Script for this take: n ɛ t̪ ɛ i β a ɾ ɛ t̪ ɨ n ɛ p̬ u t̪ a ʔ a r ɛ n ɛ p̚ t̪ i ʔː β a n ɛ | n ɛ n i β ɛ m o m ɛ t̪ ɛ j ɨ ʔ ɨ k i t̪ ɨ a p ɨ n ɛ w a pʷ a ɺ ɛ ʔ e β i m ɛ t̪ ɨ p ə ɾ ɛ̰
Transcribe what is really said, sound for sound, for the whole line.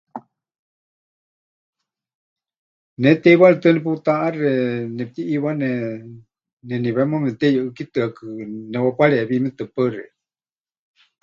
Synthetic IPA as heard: n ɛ t̪ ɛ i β a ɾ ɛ t̪ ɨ n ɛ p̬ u t̪ a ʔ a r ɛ n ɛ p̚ t̪ i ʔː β a n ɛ | n ɛ n i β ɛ m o m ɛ t̪ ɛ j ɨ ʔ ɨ k i t̪ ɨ a k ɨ n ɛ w a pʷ a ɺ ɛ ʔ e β i m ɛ t̪ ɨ p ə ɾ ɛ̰